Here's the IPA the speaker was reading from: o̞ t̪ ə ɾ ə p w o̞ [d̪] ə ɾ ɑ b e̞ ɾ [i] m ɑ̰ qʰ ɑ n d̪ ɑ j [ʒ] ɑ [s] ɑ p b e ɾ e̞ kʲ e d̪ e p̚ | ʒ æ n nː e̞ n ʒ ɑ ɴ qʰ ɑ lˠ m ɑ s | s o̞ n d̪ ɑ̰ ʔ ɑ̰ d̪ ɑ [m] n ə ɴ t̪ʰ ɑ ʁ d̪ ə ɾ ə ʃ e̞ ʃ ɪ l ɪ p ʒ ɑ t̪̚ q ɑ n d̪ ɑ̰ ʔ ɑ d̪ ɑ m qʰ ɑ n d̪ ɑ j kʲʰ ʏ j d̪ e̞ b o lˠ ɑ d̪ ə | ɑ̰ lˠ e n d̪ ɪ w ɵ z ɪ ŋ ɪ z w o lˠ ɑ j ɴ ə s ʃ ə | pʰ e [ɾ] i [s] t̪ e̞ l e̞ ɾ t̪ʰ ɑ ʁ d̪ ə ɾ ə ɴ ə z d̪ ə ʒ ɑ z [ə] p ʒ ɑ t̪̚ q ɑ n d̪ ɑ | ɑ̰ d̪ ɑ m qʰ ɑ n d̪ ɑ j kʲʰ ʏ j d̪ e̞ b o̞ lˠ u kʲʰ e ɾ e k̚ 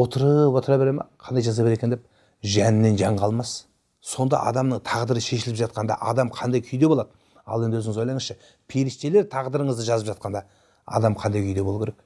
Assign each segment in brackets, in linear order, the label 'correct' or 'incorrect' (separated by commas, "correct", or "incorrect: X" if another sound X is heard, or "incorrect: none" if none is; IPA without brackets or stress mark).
incorrect: t̪, incorrect: e, correct, incorrect: z, correct, correct, correct, correct